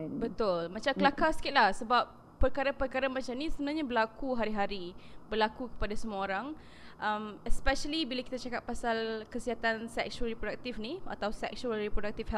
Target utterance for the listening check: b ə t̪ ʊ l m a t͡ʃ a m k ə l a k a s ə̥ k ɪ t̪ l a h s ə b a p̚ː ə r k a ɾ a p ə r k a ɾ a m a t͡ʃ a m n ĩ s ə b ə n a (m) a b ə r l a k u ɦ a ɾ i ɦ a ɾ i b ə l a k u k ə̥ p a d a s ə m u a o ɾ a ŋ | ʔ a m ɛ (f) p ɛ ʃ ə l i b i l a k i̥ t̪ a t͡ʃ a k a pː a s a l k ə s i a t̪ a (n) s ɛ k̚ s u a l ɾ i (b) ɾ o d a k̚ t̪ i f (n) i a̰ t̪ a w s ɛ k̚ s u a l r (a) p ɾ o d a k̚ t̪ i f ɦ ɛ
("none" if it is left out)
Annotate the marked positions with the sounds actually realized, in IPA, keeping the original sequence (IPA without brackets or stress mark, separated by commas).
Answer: ɲ, s, n, p, n, i